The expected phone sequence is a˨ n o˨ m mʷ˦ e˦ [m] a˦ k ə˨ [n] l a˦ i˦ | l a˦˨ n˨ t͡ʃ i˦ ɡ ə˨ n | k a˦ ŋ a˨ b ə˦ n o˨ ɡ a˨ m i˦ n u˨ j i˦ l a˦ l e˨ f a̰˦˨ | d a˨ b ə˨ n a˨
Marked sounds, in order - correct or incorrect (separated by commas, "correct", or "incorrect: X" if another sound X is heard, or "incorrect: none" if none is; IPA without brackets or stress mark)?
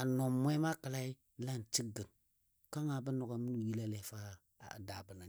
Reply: correct, incorrect: none